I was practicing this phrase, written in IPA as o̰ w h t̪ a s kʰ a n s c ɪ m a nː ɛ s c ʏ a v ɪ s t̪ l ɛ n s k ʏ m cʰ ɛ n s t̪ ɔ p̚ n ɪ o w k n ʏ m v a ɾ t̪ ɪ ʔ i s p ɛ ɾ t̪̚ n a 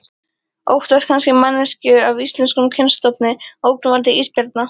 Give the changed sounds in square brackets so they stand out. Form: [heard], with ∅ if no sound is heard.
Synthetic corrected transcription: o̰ w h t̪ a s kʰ a n s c ɪ m a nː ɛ s c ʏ a v [i] s t̪ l ɛ n s k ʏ m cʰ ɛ n s t̪ ɔ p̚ n ɪ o w k n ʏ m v a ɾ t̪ ɪ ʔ i s p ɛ ɾ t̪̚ n a